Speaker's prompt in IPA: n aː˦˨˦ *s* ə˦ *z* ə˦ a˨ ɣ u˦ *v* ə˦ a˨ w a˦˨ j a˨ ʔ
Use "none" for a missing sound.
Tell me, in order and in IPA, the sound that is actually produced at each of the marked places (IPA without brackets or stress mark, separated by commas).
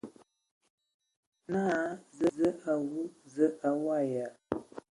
z, z, z